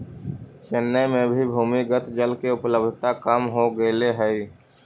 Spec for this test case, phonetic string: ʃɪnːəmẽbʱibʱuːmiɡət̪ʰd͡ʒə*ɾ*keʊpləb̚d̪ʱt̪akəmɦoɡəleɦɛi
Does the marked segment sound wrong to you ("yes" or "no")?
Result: yes